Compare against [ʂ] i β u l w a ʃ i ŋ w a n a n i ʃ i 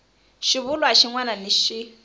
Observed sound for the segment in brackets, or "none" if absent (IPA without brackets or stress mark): ʃ